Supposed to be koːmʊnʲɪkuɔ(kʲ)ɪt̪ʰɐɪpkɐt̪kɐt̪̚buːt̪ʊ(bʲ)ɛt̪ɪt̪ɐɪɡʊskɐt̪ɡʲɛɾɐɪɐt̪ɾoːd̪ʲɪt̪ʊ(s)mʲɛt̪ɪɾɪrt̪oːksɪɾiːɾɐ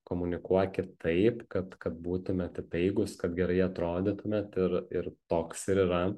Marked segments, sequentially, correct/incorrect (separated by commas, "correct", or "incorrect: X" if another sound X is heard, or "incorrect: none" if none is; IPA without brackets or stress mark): correct, incorrect: mʲ, incorrect: none